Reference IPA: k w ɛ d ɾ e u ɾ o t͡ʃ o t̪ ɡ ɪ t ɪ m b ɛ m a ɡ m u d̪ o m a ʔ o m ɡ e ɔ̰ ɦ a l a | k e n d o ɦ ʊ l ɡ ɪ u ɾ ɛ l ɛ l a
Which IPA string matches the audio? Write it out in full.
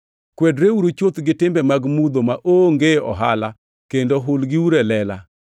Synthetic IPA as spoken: k w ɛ d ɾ e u ɾ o t͡ʃ o t̪ ɡ ɪ t ɪ m b ɛ m a ɡ m u d̪ o m a ʔ o ŋ ɡ e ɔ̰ ɦ a l a | k e n d o ɦ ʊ l ɡ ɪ u ɾ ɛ l ɛ l a

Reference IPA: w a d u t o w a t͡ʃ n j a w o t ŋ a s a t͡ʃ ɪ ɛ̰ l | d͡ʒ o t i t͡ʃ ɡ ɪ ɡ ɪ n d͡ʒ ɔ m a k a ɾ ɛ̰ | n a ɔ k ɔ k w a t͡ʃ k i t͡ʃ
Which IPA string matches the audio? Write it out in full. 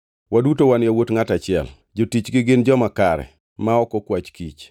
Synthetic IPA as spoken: w a d u t o w a n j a w o t ŋ a t a t͡ʃ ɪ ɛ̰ l | d͡ʒ o t i t͡ʃ ɡ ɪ ɡ ɪ n d͡ʒ ɔ m a k a ɾ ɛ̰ | m a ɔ k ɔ k w a t͡ʃ k i t͡ʃ

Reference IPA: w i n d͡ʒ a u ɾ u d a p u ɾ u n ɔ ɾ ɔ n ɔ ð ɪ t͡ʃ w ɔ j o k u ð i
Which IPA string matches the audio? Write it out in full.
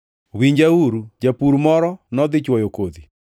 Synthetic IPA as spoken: w i ɲ d͡ʒ a u ɾ u d͡ʒ a p u ɾ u m ɔ ɾ ɔ n ɔ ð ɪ t͡ʃ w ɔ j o k o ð i

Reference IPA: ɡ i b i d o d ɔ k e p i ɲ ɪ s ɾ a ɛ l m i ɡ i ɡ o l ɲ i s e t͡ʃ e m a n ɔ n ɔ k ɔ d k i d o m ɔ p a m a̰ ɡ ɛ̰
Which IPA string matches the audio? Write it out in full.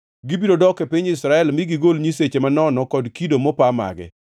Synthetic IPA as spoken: ɡ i b i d o d ɔ k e p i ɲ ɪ s ɾ a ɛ l m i ɡ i ɡ o l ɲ i s e t͡ʃ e m a n ɔ n ɔ k ɔ d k i d o m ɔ p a m a̰ ɡ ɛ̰

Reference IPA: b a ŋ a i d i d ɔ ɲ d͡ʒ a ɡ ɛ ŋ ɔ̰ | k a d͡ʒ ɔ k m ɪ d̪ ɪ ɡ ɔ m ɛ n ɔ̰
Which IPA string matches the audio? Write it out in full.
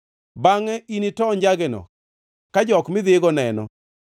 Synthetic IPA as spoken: b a ŋ ɛ i n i t ɔ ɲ d͡ʒ a ɡ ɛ n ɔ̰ | k a d͡ʒ ɔ k m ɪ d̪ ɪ ɡ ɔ n ɛ n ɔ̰

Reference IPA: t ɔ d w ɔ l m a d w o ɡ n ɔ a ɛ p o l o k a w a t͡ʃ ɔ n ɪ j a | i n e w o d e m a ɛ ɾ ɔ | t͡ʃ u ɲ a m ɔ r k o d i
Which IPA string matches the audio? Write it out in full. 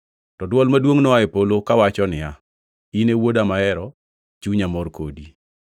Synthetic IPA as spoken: t ɔ d w ɔ l m a d w o ŋ n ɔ a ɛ p o l o k a w a t͡ʃ ɔ n ɪ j a | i n e w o d a m a ɛ ɾ ɔ | t͡ʃ u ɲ a m ɔ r k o d i

